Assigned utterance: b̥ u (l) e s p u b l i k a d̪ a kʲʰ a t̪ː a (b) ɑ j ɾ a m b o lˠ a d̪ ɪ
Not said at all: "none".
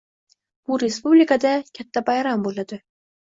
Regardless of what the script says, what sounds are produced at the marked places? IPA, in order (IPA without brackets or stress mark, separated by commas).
ɾ, b